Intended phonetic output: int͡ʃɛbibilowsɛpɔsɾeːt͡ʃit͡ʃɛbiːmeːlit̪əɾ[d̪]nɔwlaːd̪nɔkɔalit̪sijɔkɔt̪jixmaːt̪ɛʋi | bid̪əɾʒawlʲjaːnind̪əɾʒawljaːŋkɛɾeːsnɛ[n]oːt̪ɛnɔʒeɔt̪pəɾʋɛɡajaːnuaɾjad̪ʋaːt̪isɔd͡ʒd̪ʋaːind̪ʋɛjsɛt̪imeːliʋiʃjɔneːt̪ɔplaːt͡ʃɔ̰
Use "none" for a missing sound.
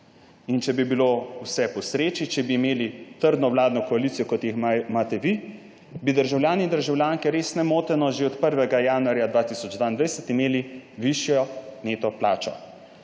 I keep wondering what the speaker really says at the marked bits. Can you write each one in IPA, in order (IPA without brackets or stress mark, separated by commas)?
d̪, m